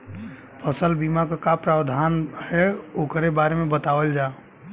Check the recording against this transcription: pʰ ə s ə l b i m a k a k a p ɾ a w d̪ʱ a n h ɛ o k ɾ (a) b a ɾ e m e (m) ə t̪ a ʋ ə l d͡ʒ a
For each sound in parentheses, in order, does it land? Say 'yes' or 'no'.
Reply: no, no

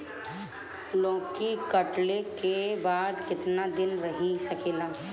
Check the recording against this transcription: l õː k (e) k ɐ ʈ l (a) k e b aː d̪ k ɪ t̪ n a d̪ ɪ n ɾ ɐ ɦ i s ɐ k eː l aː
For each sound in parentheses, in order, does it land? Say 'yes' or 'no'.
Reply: no, no

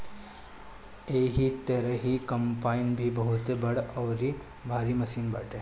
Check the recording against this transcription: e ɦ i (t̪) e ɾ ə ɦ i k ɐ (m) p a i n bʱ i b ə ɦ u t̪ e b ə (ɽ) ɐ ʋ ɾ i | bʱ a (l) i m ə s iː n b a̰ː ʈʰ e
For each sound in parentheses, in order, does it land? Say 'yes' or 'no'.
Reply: yes, yes, yes, no

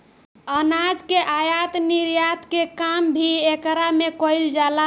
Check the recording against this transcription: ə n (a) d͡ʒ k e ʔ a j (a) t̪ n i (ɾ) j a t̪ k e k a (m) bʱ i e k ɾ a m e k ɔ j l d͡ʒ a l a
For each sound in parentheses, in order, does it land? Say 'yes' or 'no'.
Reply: yes, yes, yes, yes

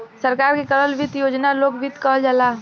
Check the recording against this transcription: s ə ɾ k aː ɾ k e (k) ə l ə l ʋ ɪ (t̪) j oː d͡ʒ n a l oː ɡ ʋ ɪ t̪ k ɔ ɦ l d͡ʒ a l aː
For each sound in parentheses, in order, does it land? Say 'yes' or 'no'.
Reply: yes, yes

